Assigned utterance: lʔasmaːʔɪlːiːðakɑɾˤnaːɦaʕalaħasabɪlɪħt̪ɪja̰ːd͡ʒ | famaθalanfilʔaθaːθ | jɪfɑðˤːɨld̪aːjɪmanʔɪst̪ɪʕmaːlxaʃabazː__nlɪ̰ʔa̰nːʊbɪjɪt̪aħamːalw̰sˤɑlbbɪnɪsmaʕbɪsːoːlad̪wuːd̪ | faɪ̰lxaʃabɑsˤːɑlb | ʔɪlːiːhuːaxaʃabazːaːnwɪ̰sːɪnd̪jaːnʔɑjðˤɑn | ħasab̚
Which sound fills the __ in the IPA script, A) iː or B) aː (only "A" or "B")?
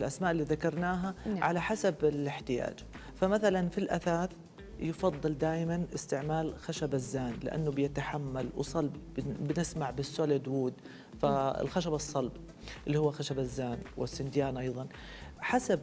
B